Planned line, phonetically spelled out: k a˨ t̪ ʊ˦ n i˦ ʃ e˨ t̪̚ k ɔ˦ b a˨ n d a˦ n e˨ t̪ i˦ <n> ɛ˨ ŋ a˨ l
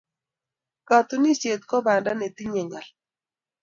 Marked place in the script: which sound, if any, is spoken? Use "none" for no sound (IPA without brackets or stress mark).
ɲ